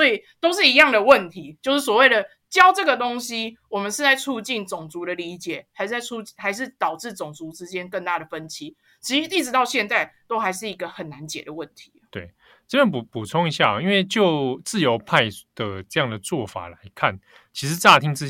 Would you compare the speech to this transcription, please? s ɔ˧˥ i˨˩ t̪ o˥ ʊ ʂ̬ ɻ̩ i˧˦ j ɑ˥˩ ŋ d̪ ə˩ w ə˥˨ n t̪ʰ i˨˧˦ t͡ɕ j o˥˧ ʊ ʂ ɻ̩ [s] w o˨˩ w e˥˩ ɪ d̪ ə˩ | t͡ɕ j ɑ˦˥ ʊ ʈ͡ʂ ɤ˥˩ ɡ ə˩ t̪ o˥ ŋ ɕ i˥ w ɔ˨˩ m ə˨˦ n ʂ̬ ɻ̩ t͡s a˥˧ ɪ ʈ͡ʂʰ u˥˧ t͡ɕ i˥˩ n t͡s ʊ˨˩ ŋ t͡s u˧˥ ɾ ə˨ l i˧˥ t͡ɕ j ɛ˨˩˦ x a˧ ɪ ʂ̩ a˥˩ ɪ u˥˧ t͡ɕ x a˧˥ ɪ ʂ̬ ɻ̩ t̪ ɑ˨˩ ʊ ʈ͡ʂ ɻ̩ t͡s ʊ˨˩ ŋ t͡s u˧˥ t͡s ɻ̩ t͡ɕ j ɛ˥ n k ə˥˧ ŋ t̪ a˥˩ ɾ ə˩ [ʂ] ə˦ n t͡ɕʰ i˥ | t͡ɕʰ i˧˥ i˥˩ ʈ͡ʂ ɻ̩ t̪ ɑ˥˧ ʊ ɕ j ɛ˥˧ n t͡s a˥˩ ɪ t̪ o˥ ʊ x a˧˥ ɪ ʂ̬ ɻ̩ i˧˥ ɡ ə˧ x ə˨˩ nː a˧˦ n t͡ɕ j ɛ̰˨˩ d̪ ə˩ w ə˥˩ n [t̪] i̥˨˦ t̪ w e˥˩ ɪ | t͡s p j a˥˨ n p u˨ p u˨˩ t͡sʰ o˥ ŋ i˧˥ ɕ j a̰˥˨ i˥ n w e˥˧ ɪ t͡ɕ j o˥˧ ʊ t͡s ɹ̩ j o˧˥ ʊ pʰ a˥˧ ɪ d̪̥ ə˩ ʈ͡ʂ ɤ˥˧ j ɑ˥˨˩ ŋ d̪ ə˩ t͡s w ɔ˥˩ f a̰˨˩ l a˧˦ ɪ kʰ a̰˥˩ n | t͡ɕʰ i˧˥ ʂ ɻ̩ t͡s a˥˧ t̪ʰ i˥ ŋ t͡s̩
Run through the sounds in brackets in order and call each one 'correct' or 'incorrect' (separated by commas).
correct, incorrect, incorrect